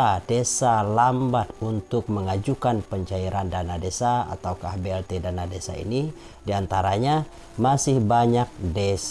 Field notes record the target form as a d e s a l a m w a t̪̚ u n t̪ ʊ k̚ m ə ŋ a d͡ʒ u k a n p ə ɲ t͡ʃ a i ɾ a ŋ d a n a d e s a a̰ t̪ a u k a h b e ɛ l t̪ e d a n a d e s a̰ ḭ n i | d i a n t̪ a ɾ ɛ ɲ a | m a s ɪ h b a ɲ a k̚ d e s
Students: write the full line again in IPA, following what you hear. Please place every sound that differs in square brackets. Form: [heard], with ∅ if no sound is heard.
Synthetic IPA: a d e s a l a m [b] a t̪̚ u n t̪ ʊ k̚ m ə ŋ a d͡ʒ u k a n p ə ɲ t͡ʃ a i ɾ a [n] d a n a d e s a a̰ t̪ a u k a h b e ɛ l t̪ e d a n a d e s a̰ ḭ n i | d i a n t̪ a ɾ [a] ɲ a | m a s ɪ h b a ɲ a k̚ d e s